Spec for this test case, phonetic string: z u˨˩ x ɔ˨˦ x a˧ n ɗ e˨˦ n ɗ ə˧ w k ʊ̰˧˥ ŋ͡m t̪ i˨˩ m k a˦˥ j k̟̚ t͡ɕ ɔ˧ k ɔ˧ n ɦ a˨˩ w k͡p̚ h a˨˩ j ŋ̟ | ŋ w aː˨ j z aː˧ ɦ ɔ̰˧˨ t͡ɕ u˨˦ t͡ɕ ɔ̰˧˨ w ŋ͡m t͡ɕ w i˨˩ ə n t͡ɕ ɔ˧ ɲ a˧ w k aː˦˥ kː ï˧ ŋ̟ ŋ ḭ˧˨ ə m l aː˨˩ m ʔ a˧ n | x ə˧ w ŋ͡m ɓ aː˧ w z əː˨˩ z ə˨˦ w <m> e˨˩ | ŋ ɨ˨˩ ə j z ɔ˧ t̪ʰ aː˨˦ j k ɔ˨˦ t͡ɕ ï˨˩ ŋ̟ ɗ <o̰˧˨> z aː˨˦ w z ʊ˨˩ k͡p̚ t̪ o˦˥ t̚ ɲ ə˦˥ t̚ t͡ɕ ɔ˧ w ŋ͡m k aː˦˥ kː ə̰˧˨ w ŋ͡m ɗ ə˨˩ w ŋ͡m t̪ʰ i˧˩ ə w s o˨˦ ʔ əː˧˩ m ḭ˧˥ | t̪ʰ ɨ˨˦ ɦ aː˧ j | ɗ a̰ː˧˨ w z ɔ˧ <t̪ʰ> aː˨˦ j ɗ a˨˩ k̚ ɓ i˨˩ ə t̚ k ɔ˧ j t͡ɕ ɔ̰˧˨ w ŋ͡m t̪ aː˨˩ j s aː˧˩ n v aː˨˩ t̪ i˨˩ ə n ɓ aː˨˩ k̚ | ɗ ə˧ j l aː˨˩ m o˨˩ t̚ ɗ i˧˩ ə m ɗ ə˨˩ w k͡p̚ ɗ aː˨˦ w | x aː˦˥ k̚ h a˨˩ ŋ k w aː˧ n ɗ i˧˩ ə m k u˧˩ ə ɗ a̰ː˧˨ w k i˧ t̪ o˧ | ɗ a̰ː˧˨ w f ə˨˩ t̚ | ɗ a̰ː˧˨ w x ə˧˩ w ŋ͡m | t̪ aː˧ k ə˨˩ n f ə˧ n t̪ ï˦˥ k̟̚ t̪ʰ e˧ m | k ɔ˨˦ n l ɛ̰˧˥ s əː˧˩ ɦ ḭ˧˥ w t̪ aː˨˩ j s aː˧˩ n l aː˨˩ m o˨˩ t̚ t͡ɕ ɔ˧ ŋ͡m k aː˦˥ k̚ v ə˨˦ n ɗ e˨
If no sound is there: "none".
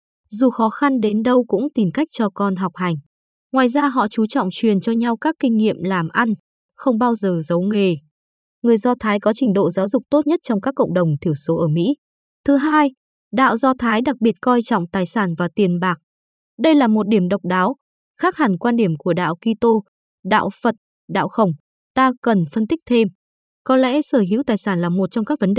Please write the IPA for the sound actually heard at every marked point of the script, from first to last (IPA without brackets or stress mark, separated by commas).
ŋ, o̰˧˨, t̪ʰ